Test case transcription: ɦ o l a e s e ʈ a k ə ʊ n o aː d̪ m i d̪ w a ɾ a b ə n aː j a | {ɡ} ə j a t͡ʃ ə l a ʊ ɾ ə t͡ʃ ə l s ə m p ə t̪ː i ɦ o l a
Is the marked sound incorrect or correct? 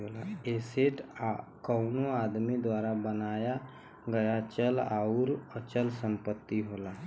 correct